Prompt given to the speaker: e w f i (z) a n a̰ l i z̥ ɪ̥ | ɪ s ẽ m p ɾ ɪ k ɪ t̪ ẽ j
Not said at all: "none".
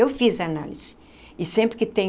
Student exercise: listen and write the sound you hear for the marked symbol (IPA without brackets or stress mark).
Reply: z